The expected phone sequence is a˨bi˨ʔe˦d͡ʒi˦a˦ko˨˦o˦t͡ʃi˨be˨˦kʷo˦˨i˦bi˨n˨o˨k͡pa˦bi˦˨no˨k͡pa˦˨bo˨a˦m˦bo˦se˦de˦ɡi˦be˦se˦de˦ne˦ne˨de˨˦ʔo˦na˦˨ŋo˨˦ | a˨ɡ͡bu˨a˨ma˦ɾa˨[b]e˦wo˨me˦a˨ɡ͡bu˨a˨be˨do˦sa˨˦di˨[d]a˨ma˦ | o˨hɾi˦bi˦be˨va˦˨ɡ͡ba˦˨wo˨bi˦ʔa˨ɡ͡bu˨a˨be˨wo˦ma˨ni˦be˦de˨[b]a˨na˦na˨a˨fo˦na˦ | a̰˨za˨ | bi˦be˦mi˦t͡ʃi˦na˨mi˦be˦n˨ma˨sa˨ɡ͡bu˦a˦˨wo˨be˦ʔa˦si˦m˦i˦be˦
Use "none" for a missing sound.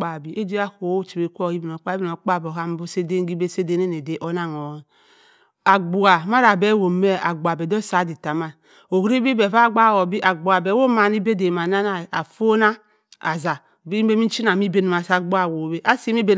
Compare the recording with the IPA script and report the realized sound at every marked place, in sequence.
b, t, m

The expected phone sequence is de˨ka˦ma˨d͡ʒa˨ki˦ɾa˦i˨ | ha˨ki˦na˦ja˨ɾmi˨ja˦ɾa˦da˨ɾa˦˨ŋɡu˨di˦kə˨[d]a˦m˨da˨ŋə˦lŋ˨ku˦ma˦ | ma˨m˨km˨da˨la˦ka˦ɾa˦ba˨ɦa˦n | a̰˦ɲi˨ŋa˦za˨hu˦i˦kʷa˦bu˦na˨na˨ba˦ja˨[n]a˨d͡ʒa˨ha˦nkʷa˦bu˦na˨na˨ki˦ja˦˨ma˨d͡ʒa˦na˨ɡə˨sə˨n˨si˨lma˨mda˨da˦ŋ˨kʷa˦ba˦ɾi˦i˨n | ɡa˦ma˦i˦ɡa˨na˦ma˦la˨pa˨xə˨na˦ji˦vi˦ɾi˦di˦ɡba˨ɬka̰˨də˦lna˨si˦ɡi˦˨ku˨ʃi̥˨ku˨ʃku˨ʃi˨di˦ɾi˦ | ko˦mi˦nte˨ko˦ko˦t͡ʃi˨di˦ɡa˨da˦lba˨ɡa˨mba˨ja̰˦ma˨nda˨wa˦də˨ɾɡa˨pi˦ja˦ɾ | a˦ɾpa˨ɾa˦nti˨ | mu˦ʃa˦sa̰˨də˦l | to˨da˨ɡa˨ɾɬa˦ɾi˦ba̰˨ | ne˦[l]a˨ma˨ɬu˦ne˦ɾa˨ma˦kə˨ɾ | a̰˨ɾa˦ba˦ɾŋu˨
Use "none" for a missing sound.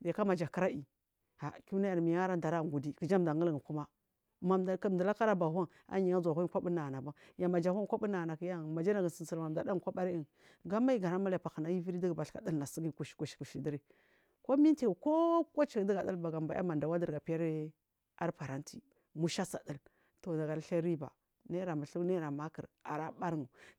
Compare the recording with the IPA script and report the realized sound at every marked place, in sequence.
d͡ʒ, m, ɾ

